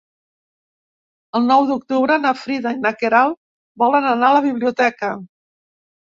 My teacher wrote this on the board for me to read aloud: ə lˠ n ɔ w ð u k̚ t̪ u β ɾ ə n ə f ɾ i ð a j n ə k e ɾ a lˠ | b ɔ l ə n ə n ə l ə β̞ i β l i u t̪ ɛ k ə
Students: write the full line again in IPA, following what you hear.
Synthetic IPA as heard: ə lˠ n ɔ w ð u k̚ t̪ u β ɾ ə n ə f ɾ i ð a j n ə k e ɾ a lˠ | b ɔ l ə n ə n a l ə β̞ i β l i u t̪ ɛ k ə